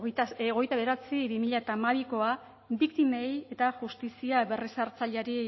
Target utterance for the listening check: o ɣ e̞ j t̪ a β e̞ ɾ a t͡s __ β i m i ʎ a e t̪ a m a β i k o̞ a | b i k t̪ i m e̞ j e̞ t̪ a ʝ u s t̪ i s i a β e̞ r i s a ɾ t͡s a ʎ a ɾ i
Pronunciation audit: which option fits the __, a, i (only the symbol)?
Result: i